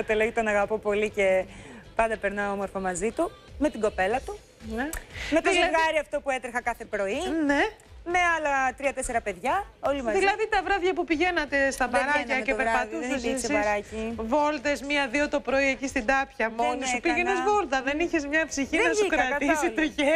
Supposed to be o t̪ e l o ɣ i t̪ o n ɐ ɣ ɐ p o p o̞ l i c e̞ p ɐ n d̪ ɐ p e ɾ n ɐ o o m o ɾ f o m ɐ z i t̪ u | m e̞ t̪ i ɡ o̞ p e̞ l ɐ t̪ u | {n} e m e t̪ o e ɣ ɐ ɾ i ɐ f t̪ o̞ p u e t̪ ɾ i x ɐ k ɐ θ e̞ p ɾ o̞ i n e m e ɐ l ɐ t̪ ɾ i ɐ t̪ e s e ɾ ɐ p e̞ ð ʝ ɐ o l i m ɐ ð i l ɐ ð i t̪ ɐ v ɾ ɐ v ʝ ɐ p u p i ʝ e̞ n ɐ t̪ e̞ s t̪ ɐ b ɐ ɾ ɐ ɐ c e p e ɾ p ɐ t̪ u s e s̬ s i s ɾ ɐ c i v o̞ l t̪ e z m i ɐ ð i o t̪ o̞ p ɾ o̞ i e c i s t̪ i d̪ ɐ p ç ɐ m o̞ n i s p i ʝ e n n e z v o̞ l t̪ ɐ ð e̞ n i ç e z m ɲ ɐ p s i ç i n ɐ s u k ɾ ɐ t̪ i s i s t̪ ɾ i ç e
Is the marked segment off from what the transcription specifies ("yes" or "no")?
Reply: no